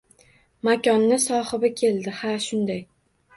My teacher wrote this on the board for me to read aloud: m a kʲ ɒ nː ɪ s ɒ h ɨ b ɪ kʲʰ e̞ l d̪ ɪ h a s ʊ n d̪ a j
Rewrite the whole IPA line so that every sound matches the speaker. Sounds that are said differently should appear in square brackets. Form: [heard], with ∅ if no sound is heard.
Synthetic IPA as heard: m a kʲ ɒ nː ɪ s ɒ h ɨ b ɪ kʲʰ e̞ l d̪ ɪ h a [ʃ] ʊ n d̪ a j

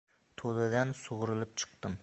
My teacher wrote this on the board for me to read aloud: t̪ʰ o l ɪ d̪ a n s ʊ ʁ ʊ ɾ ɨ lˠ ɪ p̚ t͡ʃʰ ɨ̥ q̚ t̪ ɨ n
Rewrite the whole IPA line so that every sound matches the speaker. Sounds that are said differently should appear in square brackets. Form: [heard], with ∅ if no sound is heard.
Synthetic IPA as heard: t̪ʰ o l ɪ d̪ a n s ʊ ʁ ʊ ɾ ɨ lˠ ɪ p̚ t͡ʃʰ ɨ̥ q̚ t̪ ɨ [m]

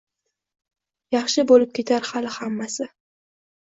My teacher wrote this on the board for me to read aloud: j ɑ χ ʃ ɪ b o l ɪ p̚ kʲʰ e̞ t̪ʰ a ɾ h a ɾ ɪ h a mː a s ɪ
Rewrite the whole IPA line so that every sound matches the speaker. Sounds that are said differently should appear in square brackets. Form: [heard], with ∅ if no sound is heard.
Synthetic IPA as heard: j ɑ χ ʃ ɪ b o l ɪ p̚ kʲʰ e̞ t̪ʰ a ɾ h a [l] ɪ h a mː a s ɪ

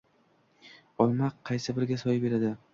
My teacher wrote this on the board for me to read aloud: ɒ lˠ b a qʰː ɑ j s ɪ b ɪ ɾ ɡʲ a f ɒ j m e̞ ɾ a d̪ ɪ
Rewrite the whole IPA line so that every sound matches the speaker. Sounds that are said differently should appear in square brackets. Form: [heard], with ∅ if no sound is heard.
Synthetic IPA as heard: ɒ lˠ [m] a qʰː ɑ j s ɪ b ɪ ɾ ɡʲ a [s] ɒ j [b] e̞ ɾ a d̪ ɪ

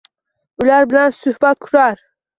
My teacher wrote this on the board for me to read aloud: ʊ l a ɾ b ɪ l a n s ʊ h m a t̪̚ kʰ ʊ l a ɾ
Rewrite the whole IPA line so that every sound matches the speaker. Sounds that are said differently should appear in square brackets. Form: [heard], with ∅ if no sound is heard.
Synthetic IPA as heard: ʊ l a ɾ b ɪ l a n s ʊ h [b] a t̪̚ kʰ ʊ [ɾ] a ɾ

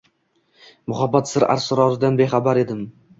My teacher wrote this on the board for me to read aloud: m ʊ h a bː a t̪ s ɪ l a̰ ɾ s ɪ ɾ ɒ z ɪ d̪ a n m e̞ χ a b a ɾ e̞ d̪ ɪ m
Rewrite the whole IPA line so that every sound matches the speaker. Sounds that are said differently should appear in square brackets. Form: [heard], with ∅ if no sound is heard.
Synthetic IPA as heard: m ʊ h a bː a t̪ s ɪ [ɾ] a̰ ɾ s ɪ ɾ ɒ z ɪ d̪ a n [b] e̞ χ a b a ɾ e̞ d̪ ɪ m

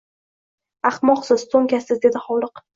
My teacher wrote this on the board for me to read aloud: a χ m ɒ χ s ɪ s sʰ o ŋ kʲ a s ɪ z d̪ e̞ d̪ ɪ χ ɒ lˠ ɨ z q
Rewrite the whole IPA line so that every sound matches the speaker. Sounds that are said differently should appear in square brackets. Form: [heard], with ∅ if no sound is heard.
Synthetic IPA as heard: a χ m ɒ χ s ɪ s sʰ o ŋ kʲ a s ɪ z d̪ e̞ d̪ ɪ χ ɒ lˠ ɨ [∅] q

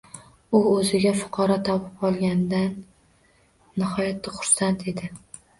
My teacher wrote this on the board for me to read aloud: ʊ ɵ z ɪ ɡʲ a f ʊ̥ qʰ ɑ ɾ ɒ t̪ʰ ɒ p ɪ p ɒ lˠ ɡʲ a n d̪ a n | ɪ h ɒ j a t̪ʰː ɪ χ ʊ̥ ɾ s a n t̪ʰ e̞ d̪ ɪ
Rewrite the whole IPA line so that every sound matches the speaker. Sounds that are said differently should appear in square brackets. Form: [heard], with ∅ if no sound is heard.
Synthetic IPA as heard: ʊ ɵ z ɪ ɡʲ a f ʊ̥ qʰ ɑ ɾ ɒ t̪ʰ ɒ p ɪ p ɒ lˠ ɡʲ a n d̪ a n | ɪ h ɒ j a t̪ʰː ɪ χ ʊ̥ ɾ s a n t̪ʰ e̞ d̪ ɪ

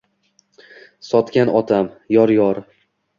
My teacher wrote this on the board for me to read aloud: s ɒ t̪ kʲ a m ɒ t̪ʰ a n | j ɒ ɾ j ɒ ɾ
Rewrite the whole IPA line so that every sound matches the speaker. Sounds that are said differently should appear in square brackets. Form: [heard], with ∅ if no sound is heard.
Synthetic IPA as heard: s ɒ t̪ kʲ a [n] ɒ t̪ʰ a [m] | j ɒ ɾ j ɒ ɾ

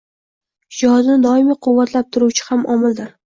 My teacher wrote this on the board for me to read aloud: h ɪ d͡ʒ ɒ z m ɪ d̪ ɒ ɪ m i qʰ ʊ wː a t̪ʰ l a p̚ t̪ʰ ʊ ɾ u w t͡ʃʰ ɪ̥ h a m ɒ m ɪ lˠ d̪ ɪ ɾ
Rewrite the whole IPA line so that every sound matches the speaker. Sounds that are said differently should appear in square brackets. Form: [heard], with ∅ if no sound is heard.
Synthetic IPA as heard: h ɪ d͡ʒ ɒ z [n] ɪ d̪ ɒ ɪ m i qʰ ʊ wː a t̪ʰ l a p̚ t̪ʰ ʊ ɾ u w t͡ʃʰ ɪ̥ h a m ɒ m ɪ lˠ d̪ ɪ ɾ

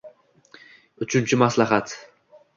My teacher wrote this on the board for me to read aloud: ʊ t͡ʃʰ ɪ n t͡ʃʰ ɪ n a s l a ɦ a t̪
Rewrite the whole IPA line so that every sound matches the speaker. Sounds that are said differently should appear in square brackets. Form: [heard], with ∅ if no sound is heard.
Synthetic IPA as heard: ʊ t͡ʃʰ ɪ n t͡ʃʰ ɪ [m] a s l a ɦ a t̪

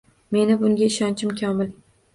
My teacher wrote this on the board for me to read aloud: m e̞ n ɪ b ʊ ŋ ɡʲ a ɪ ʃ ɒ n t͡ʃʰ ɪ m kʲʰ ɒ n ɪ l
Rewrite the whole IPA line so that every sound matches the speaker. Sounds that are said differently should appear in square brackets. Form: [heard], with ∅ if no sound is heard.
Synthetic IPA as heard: m e̞ n ɪ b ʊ ŋ ɡʲ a ɪ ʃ ɒ n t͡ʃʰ ɪ m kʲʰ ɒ [m] ɪ l

